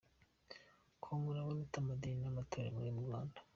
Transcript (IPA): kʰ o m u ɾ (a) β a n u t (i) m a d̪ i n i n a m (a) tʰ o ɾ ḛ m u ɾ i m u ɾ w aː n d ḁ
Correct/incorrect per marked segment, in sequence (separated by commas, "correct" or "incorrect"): correct, incorrect, correct